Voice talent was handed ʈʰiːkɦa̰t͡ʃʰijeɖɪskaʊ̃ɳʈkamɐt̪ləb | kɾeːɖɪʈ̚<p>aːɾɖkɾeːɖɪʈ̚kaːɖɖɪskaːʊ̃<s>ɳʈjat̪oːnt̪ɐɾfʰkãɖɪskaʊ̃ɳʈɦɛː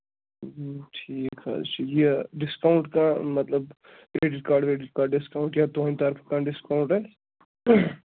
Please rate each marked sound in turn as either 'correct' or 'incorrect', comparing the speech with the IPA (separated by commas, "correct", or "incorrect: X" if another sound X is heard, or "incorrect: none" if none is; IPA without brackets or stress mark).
incorrect: k, incorrect: none